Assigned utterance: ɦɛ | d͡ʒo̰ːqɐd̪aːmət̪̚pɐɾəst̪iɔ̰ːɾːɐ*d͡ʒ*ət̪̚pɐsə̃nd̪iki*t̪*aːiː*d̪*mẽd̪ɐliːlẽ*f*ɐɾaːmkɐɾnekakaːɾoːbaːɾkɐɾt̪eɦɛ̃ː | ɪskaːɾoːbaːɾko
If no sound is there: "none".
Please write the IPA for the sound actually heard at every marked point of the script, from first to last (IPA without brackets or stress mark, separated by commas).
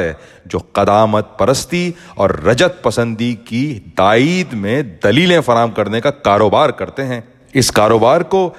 d͡ʒ, d̪, d̪, f